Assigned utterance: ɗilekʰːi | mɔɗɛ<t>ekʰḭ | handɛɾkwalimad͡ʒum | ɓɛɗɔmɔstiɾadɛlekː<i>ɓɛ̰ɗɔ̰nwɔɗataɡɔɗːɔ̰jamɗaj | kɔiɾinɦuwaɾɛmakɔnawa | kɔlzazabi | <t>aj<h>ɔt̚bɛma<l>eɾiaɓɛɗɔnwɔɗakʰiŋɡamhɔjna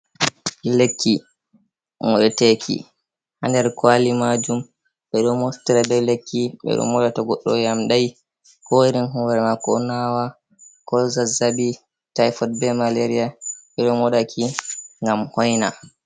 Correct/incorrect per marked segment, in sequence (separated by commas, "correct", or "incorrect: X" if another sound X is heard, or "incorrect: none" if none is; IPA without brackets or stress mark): correct, correct, correct, incorrect: f, correct